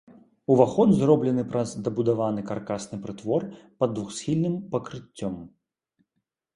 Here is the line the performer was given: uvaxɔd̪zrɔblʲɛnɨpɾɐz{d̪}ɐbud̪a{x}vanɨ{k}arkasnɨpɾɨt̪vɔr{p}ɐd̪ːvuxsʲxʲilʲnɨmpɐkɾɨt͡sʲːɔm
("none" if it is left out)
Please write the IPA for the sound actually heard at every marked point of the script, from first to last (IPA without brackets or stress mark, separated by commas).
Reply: d̪, none, k, p